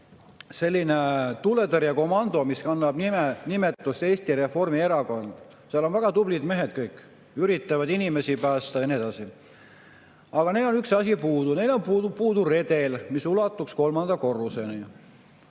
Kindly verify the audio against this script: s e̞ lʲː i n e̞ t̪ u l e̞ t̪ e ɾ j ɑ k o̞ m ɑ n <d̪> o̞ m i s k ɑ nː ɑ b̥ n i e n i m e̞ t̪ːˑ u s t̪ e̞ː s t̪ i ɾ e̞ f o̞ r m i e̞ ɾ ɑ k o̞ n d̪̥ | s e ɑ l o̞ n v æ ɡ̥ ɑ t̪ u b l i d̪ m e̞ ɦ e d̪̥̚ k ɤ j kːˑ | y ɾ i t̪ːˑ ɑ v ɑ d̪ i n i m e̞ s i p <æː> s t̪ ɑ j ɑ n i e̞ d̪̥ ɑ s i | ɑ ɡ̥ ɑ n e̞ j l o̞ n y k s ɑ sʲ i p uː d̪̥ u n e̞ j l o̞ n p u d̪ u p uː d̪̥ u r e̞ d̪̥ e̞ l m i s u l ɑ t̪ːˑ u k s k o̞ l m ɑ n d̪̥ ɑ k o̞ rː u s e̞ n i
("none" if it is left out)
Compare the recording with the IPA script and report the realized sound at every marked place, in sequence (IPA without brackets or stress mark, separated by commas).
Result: d̪, æː